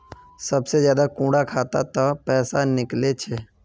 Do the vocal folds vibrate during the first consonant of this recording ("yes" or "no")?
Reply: no